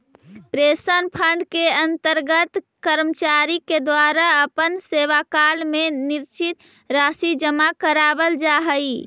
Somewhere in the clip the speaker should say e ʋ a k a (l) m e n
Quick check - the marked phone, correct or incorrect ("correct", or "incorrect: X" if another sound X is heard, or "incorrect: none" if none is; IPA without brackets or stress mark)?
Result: correct